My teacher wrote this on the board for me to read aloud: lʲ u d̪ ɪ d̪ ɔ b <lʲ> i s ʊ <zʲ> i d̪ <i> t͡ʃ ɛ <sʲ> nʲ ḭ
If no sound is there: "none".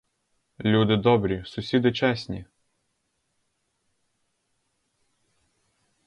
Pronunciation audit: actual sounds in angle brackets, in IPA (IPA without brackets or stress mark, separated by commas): ɾʲ, sʲ, ɪ, sʲ